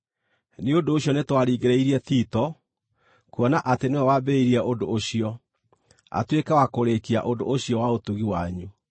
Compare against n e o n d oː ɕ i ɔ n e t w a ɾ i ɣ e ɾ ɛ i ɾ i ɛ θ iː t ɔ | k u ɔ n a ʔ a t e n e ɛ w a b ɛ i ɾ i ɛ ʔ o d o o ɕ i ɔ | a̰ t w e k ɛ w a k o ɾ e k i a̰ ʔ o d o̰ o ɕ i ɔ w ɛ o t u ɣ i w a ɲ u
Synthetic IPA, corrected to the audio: n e o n d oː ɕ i ɔ n e t w a ɾ i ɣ e ɾ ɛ i ɾ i ɛ θ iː t ɔ | k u ɔ n a ʔ a t e n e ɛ w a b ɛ i ɾ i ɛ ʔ o d o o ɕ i ɔ | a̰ t w e k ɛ w a k o ɾ e k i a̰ ʔ o d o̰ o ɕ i ɔ w a o t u ɣ i w a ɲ u